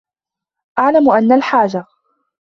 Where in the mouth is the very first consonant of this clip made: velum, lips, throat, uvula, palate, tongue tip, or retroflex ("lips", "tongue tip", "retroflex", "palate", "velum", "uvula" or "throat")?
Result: throat